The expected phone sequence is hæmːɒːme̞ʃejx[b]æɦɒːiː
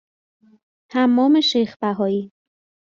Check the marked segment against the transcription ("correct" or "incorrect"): correct